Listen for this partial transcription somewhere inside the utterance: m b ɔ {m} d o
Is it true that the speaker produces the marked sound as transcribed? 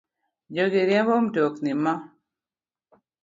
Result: yes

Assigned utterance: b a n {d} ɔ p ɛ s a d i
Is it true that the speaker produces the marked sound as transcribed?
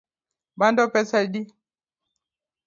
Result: yes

